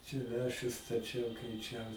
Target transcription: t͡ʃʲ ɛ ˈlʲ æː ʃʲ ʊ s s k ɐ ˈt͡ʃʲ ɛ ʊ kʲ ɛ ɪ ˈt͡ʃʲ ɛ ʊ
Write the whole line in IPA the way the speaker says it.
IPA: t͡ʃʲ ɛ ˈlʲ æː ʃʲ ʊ s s t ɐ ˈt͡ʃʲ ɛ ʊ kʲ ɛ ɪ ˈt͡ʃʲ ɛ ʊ